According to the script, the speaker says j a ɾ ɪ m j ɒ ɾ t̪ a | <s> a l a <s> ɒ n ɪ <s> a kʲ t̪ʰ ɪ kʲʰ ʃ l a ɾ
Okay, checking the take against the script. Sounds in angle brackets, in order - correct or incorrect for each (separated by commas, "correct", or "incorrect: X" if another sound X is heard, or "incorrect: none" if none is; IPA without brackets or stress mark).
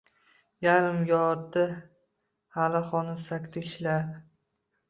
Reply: incorrect: h, incorrect: χ, correct